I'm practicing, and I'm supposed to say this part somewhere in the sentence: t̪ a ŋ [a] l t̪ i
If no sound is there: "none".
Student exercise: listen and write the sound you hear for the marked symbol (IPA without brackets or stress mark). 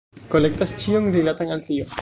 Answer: a